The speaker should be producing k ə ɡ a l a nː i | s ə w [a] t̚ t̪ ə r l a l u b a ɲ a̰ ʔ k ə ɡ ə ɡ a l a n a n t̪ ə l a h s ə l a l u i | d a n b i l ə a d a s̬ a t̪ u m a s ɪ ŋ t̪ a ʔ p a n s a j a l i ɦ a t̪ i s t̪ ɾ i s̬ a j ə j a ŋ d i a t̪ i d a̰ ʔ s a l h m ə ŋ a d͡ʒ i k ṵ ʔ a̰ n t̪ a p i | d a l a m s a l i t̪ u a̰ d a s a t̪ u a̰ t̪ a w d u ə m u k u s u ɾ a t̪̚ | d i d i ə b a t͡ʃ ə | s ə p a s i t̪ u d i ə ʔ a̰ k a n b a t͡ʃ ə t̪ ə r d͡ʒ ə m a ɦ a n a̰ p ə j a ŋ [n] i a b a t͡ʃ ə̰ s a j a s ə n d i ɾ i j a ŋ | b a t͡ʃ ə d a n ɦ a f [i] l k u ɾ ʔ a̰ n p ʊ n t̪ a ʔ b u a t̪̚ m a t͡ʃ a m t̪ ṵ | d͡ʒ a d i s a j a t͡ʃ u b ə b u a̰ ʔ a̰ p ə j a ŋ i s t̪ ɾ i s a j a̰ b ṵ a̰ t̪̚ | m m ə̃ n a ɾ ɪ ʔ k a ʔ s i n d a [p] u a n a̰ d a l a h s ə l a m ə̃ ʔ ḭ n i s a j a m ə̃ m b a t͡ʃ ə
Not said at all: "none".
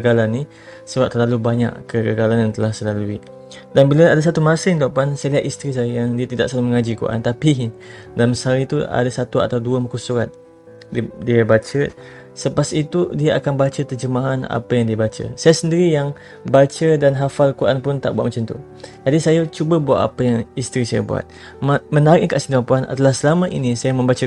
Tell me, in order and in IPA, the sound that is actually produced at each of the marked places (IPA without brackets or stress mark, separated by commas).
a, d, a, p